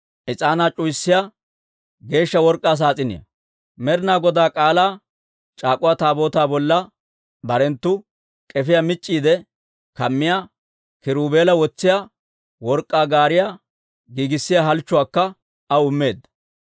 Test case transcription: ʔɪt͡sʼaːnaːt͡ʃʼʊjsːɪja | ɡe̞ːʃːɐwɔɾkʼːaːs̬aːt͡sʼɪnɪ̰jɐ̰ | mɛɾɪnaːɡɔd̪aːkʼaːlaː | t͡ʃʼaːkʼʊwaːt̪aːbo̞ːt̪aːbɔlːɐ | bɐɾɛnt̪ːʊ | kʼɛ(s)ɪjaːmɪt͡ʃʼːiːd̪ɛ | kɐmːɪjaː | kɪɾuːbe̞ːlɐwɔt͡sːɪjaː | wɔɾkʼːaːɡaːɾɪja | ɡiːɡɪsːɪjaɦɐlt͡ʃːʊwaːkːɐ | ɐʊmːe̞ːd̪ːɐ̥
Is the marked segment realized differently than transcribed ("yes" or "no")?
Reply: yes